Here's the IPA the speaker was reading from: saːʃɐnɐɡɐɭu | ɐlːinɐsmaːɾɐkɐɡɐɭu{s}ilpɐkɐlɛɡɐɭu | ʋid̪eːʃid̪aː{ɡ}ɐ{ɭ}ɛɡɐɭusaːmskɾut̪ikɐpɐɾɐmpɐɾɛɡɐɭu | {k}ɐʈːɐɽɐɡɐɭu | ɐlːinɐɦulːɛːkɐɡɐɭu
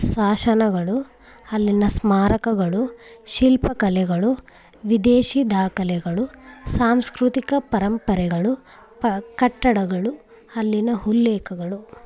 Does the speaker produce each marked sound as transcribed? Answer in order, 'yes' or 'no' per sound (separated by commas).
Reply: no, no, no, yes